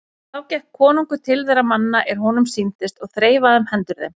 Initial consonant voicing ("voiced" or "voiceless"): voiceless